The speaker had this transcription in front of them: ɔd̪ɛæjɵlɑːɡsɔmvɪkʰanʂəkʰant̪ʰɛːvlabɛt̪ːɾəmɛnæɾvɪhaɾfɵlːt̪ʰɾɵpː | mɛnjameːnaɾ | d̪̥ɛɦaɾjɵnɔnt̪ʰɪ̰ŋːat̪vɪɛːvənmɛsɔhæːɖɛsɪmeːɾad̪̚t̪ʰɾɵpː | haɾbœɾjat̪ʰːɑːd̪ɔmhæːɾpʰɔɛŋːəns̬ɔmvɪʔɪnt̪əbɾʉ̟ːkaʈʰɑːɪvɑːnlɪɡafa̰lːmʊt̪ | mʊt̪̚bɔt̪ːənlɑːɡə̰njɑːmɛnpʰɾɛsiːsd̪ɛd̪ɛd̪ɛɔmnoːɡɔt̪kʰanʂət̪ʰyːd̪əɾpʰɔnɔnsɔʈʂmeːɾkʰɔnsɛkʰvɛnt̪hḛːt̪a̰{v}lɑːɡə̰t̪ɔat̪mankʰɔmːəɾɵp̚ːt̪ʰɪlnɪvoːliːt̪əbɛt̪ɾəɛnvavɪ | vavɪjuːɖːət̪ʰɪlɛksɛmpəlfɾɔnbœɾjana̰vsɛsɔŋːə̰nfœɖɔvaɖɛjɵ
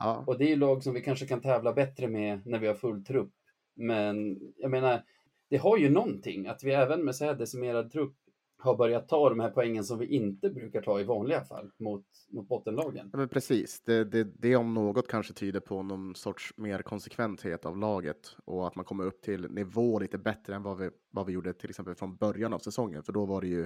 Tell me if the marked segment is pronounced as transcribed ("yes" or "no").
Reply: yes